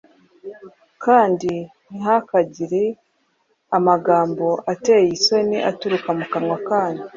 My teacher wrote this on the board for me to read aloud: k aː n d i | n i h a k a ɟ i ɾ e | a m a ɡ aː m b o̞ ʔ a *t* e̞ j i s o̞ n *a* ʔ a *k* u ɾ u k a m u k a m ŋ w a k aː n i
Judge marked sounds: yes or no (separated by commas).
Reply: yes, no, no